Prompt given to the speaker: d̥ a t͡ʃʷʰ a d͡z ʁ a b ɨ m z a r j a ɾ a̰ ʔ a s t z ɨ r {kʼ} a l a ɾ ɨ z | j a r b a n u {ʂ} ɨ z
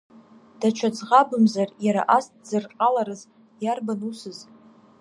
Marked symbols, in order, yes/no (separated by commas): no, no